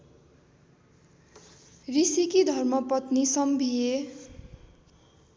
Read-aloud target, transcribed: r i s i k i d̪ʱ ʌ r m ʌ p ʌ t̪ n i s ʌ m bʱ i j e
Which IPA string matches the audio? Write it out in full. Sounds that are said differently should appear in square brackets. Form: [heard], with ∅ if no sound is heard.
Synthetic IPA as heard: r i s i k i d̪ʱ ʌ r m ʌ p ʌ t̪ n i s ʌ m bʱ i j e

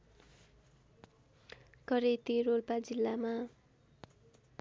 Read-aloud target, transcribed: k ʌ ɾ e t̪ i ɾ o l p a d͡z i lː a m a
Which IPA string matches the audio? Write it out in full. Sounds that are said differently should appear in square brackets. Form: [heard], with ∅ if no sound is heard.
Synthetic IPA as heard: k ʌ ɾ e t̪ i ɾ o l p a d͡z i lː a m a

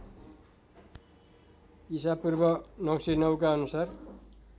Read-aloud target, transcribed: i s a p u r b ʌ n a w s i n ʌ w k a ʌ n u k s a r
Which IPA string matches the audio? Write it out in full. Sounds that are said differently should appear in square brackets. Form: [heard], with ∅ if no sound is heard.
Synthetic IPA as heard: i s a p u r b ʌ n [ʌ] w s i n ʌ w k a ʌ n u [∅] s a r

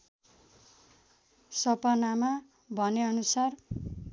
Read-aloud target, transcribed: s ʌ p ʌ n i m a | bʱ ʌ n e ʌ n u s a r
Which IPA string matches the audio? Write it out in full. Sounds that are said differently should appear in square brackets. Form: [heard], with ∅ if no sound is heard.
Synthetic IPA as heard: s ʌ p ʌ n [a] m a | bʱ ʌ n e ʌ n u s a r

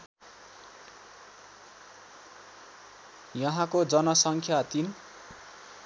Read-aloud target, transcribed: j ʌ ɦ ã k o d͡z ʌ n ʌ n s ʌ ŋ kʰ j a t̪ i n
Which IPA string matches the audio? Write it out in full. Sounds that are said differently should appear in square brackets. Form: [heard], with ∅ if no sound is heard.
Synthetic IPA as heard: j ʌ ɦ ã k o d͡z ʌ n ʌ [∅] s ʌ ŋ kʰ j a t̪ i n

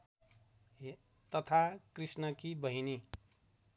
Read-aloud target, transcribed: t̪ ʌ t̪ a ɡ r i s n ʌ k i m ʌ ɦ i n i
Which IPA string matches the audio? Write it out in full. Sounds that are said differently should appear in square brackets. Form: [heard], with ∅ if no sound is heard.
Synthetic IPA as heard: t̪ ʌ [t̪ʰ] a [k] r i s n ʌ k i [b] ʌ ɦ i n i

